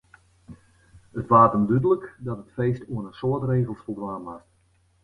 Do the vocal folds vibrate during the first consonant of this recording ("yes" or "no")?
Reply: no